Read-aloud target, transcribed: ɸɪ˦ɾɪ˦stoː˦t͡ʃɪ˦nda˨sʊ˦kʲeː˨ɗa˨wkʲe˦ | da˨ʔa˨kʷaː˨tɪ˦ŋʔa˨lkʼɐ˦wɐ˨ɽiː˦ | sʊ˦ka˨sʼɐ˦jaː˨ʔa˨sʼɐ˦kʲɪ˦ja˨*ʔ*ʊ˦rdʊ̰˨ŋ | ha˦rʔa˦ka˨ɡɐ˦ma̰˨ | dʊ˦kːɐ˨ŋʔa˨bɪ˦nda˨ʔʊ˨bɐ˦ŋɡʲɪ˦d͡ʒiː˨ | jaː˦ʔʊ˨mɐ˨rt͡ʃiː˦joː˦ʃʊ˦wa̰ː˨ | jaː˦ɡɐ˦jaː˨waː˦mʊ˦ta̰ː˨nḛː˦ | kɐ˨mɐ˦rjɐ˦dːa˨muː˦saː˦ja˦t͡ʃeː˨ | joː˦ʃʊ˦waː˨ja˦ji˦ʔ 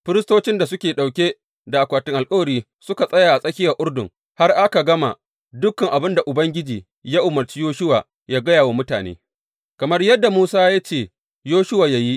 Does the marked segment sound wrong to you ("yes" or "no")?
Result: no